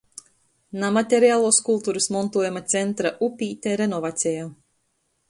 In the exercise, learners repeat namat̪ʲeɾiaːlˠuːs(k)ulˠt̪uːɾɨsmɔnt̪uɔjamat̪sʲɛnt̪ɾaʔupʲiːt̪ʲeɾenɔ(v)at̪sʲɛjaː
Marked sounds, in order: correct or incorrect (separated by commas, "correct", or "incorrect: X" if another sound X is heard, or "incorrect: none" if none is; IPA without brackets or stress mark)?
correct, correct